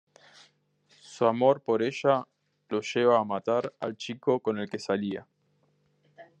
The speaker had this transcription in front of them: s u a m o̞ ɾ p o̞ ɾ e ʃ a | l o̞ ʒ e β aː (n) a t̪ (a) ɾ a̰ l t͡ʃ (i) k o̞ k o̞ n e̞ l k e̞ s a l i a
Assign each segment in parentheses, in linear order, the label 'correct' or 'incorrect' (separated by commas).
incorrect, correct, correct